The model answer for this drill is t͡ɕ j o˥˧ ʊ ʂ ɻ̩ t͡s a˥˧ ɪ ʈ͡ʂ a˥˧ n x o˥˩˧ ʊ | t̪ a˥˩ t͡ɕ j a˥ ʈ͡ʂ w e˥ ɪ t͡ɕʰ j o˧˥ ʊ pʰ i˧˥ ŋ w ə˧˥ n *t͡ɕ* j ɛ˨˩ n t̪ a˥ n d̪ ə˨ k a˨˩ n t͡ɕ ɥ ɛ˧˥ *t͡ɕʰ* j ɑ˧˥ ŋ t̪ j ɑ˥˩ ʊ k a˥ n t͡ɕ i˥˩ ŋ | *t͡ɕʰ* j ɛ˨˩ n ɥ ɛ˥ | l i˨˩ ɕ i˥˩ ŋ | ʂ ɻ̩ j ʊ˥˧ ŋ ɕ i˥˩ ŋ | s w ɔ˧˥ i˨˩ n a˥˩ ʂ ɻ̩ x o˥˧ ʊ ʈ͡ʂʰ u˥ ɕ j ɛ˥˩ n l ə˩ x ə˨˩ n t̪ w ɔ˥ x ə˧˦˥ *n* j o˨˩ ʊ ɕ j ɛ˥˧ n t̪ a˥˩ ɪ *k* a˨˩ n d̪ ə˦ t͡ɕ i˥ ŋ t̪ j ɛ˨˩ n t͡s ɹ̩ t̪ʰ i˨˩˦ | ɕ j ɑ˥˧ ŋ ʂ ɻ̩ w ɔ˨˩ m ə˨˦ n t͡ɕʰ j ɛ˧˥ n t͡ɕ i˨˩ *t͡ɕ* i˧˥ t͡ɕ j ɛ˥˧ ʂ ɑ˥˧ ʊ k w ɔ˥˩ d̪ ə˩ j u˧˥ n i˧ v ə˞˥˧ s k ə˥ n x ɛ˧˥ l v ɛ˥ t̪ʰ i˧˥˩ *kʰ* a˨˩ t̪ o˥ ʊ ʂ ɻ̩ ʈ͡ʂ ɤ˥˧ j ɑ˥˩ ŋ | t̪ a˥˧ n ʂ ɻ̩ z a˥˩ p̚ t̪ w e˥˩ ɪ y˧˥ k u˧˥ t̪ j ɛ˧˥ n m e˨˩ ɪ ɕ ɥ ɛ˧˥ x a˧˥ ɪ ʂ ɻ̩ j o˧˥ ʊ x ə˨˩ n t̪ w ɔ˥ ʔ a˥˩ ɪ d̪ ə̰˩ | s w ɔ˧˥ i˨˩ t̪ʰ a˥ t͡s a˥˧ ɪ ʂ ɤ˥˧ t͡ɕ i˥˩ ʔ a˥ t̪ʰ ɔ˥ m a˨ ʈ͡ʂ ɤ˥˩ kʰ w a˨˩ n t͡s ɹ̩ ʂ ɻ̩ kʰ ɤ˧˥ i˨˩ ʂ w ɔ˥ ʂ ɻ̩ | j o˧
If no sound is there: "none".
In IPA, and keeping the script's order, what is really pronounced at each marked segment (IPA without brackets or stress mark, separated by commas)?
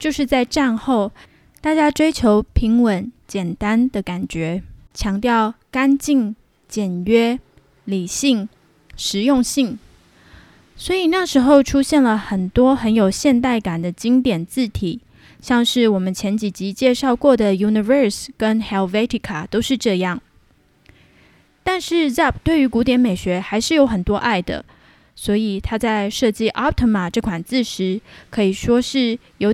t͡ɕ, t͡ɕʰ, t͡ɕ, n, k, t͡ɕ, kʰ